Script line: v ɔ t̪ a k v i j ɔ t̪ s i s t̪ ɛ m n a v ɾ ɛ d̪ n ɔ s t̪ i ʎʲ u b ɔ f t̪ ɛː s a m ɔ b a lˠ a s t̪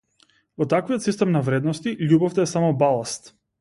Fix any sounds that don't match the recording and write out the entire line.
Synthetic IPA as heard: v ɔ t̪ a k v i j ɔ t̪ s i s t̪ ɛ m n a v ɾ ɛ d̪ n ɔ s t̪ i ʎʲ u b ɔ f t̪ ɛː s a m ɔ b a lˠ a s t̪